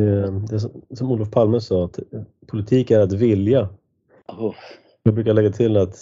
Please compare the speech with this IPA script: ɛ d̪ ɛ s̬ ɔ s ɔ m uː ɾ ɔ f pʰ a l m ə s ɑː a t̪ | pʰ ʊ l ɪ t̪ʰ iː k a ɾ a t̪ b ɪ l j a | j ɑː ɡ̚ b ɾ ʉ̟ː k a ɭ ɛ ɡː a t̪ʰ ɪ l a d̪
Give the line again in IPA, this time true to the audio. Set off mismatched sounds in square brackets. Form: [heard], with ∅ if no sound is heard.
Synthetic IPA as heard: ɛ d̪ ɛ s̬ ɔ s ɔ m uː [l] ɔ f pʰ a l m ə s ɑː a t̪ | pʰ ʊ l ɪ t̪ʰ iː k [æ] ɾ a t̪ [v] ɪ l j a | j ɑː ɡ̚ b ɾ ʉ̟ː k a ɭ ɛ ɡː a t̪ʰ ɪ l a [t̪]